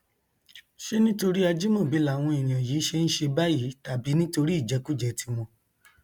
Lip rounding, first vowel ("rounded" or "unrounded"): unrounded